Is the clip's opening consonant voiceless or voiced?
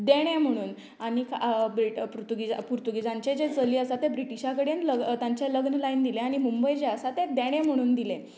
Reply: voiced